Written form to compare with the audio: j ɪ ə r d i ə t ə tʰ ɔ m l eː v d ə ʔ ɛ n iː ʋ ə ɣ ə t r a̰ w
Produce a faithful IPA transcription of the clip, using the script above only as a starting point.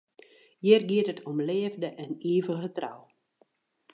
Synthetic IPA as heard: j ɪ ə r ɡ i ə t ə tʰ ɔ m l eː v d ə ʔ ɛ n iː v ə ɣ ə t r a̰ w